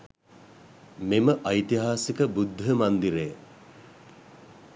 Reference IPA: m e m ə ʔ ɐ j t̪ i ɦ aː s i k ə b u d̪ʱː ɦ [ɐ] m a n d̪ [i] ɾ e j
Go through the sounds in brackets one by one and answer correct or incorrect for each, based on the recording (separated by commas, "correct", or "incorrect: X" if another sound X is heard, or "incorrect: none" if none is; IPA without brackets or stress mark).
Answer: incorrect: ə, correct